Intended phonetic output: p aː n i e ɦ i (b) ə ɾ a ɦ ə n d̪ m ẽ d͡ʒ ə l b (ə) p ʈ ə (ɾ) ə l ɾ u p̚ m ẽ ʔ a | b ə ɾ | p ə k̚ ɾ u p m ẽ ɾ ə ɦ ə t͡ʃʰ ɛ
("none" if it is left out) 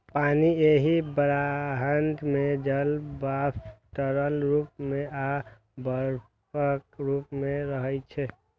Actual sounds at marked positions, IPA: b, a, ɾ

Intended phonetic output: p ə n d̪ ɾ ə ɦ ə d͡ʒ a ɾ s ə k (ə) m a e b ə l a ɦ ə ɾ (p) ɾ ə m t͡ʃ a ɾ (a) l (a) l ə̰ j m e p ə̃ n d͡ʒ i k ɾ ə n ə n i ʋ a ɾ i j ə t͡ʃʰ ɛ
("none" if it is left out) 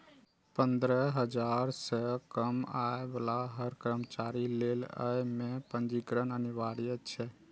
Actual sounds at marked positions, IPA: ə, k, i, e

